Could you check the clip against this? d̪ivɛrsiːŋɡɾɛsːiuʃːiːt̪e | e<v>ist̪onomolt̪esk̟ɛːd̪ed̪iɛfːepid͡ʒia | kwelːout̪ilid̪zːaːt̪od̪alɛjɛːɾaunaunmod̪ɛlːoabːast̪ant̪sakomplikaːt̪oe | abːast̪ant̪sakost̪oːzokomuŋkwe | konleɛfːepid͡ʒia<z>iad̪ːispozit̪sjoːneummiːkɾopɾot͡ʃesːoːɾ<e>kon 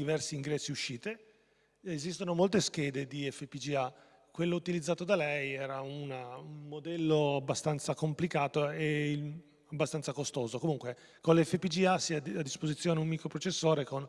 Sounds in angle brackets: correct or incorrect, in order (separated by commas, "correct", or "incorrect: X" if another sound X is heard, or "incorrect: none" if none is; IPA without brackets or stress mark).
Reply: incorrect: z, incorrect: s, correct